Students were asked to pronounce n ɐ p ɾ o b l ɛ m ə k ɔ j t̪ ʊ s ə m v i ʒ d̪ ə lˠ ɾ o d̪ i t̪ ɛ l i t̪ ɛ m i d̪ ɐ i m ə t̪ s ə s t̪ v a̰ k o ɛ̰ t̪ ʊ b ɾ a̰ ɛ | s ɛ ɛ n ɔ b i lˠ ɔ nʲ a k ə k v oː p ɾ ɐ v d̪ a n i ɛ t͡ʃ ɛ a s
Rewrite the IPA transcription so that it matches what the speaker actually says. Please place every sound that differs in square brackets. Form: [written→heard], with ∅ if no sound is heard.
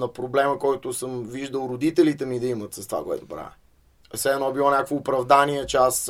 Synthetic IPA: n ɐ p ɾ o b l ɛ m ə k ɔ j t̪ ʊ s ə m v i ʒ d̪ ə lˠ ɾ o d̪ i t̪ ɛ l i t̪ ɛ m i d̪ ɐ i m ə t̪ s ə s t̪ v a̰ k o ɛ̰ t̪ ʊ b ɾ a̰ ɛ | s ɛ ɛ n ɔ b i lˠ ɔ nʲ a k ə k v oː p ɾ ɐ v d̪ a n i ɛ t͡ʃ ɛ a s